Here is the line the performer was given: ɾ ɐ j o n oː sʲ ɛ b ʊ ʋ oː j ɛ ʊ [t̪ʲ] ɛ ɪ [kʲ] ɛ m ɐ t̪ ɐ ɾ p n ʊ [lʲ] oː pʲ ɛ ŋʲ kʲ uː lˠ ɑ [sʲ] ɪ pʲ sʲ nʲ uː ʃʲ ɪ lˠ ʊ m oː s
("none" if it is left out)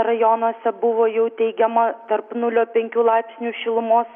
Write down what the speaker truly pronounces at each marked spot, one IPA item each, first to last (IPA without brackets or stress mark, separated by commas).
t̪ʲ, ɡʲ, lʲ, none